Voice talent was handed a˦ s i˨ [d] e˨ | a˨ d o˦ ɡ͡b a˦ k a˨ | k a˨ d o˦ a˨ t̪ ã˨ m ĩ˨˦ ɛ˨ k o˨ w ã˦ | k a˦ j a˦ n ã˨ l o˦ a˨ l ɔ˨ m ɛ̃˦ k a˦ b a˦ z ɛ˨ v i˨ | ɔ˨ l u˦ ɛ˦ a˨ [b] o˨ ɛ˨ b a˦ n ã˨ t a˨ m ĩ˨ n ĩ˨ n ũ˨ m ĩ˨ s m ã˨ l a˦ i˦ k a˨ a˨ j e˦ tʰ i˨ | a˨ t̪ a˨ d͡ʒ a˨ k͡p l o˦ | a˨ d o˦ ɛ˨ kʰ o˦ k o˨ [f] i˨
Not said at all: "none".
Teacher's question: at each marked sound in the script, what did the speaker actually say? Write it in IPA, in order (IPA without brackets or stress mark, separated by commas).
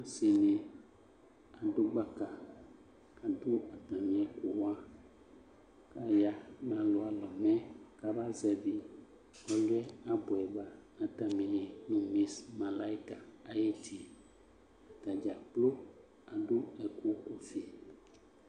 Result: n, b, f